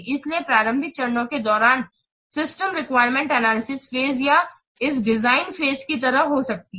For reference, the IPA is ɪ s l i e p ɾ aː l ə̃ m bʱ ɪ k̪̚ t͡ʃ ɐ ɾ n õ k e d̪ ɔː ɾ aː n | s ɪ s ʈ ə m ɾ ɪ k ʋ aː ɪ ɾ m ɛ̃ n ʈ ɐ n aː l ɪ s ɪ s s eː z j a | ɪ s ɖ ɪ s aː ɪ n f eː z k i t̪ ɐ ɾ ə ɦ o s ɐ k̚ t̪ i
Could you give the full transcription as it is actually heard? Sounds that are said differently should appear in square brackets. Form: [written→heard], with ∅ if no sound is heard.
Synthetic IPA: ɪ s l i e p ɾ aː [l→ɾ] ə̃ m bʱ ɪ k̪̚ t͡ʃ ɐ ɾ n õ k e d̪ ɔː ɾ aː n | s ɪ s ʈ ə m ɾ ɪ k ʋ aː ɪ ɾ m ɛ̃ [n→ɳ] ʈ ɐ n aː l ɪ s ɪ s [s→f] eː z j a | ɪ s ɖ ɪ [s→z] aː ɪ n f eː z k i t̪ ɐ ɾ ə ɦ o s ɐ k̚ t̪ i